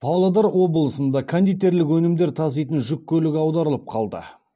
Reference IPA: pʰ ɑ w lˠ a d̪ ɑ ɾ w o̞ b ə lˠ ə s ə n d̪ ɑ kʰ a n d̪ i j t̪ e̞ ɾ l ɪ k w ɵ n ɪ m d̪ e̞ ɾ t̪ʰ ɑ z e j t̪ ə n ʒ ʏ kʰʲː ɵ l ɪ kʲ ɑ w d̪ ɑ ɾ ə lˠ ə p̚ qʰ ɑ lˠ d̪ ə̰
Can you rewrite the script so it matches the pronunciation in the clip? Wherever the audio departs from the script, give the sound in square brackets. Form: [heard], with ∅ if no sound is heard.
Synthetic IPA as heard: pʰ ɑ w lˠ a d̪ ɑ ɾ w o̞ b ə lˠ ə s ə n d̪ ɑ kʰ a n d̪ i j t̪ e̞ ɾ l ɪ k w ɵ n ɪ m d̪ e̞ ɾ t̪ʰ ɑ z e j t̪ ə n ʒ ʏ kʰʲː ɵ l ɪ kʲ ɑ w d̪ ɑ ɾ ə lˠ ə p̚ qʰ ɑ lˠ d̪ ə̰